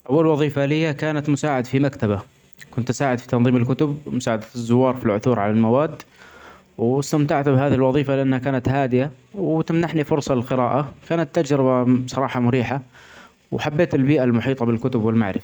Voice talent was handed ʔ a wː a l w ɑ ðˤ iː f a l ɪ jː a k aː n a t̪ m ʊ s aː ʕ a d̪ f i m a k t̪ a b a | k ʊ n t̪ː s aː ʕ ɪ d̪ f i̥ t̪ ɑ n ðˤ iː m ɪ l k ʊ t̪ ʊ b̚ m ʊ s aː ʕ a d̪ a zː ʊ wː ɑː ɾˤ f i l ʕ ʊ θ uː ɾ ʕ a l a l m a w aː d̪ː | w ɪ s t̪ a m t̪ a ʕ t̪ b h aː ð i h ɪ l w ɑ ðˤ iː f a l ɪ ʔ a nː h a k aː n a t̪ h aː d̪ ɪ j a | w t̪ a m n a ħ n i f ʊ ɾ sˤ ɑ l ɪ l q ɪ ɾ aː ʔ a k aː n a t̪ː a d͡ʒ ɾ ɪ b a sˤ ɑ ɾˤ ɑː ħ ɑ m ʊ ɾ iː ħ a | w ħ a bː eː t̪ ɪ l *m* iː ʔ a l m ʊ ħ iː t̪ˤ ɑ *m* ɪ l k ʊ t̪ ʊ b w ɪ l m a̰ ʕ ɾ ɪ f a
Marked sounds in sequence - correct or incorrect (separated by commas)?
incorrect, incorrect